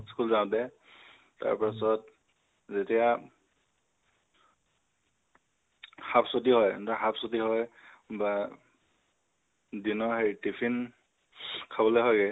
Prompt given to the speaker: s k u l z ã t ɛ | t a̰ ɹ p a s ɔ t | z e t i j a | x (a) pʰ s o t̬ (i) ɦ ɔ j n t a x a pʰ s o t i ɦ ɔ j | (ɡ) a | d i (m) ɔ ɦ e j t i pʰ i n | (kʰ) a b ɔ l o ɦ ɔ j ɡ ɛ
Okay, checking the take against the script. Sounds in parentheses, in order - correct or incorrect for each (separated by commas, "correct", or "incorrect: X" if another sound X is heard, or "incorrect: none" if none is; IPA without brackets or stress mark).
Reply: correct, correct, incorrect: b, incorrect: n, correct